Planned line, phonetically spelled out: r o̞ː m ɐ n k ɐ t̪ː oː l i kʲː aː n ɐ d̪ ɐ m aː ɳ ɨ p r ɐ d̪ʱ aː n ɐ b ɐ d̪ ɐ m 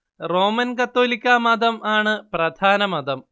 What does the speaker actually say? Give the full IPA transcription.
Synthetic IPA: r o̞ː m ɐ n k ɐ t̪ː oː l i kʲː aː m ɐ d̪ ɐ m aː ɳ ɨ p r ɐ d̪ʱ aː n ɐ m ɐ d̪ ɐ m